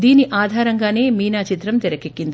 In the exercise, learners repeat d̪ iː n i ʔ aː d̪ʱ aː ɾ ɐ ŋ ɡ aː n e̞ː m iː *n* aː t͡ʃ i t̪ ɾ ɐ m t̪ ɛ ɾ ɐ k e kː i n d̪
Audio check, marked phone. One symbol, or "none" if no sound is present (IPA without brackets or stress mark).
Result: n